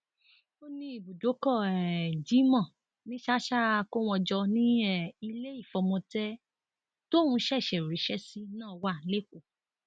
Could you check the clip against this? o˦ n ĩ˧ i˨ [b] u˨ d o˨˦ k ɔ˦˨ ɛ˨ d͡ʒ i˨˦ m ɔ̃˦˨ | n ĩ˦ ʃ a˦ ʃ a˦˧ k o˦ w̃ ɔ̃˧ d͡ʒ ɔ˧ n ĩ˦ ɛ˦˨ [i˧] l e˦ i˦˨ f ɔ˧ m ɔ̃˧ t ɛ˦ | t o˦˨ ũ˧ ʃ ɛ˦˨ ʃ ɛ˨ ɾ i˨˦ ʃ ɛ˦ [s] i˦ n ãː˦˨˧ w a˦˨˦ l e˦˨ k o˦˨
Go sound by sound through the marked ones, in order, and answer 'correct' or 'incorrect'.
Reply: correct, correct, correct

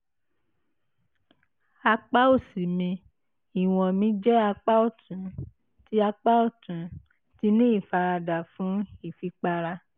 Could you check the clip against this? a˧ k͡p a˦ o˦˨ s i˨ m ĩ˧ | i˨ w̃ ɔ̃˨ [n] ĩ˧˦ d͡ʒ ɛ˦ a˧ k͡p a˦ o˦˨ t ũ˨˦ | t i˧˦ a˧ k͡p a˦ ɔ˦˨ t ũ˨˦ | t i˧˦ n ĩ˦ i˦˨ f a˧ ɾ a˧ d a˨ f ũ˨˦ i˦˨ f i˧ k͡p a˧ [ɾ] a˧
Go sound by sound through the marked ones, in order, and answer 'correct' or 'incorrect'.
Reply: incorrect, correct

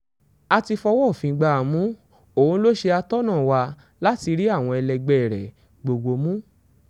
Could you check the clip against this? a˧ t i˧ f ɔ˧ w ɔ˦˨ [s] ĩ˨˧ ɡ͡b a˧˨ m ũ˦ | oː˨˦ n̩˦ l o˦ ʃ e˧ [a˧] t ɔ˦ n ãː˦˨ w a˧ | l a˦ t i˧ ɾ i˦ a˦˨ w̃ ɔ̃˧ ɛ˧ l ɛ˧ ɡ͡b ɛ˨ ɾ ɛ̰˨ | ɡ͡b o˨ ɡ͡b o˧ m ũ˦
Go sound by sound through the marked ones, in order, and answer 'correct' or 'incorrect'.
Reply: incorrect, correct

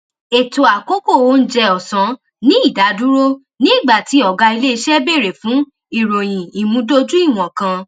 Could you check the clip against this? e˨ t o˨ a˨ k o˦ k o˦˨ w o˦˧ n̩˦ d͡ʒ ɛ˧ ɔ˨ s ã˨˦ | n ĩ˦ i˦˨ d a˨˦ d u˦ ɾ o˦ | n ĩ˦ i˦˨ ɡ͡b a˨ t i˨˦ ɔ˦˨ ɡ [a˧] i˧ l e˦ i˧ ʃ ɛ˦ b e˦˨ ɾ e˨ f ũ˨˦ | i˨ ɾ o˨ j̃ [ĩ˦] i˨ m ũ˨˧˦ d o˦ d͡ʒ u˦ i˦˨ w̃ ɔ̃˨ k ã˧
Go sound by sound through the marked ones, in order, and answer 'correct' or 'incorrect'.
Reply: correct, incorrect

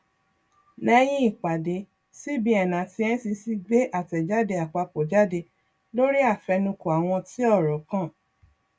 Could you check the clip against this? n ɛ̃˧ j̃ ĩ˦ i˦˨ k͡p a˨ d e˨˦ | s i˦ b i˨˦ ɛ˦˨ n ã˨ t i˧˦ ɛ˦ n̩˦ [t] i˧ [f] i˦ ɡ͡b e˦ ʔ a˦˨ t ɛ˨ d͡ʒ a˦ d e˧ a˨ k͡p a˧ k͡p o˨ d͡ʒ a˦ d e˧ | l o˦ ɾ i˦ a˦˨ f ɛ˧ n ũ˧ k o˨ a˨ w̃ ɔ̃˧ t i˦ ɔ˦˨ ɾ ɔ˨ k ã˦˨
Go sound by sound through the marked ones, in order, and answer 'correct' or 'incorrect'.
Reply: incorrect, incorrect

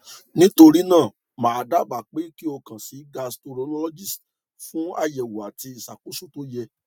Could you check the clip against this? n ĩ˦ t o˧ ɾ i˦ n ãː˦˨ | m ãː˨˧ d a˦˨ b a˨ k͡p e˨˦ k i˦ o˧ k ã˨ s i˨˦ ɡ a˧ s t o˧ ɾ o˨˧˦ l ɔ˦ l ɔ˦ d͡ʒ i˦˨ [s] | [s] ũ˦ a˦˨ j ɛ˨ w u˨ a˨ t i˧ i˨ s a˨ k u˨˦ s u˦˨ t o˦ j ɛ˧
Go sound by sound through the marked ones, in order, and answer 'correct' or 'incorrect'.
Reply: correct, incorrect

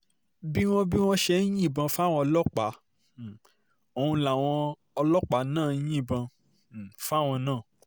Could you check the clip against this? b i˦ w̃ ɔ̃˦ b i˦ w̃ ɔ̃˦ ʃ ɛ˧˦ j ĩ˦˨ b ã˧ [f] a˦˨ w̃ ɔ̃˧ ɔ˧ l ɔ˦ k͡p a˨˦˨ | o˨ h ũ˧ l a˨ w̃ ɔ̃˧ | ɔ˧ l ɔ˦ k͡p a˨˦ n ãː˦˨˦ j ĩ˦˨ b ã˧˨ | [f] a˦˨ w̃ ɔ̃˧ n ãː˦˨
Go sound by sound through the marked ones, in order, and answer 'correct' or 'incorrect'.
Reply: correct, correct

